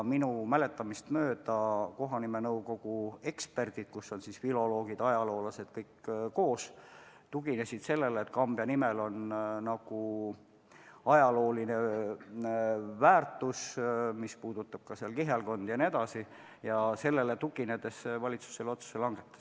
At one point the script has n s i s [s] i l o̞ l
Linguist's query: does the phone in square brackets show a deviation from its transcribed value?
yes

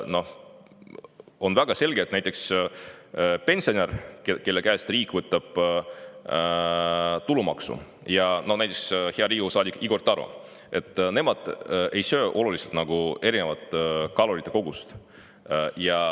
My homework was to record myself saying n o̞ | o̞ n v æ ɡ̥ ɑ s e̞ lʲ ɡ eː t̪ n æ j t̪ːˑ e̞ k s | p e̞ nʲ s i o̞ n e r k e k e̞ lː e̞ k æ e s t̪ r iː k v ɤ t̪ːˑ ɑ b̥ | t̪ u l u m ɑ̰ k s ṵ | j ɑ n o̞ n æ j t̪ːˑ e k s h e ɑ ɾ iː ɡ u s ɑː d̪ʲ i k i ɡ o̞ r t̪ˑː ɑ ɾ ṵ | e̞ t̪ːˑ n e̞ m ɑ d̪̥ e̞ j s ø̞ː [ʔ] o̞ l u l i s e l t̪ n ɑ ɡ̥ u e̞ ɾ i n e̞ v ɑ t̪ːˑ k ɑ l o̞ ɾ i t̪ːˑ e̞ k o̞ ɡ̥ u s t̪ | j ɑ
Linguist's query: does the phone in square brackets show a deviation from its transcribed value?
no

